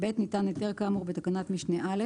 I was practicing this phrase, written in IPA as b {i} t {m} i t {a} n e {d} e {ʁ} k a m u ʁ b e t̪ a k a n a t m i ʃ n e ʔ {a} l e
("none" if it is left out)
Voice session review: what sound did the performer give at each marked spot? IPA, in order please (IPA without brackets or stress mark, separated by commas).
e, n, a, t, ʁ, a